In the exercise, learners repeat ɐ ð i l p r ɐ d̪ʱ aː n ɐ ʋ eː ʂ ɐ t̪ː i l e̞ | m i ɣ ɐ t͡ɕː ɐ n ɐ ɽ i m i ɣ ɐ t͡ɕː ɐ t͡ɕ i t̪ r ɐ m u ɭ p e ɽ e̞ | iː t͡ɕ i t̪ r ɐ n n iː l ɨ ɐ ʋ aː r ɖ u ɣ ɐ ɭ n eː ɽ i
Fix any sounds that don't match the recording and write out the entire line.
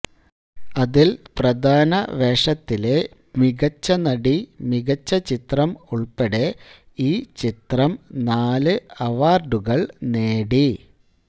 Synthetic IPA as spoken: ɐ ð i l p r ɐ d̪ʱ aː n ɐ ʋ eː ʂ ɐ t̪ː i l e̞ | m i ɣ ɐ t͡ɕː ɐ n ɐ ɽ i m i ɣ ɐ t͡ɕː ɐ t͡ɕ i t̪ r ɐ m u ɭ p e ɽ e̞ | iː t͡ɕ i t̪ r ɐ m n aː l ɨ ɐ ʋ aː r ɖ u ɣ ɐ ɭ n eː ɽ i